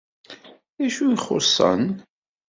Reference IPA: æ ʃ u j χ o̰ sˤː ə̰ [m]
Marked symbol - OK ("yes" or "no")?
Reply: no